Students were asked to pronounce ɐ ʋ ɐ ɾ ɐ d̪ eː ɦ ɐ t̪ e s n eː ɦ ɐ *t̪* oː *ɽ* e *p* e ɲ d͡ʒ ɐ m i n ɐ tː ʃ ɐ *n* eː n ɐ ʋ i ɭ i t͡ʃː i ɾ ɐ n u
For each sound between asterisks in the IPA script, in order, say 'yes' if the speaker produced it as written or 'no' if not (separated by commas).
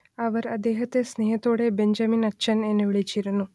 yes, yes, no, yes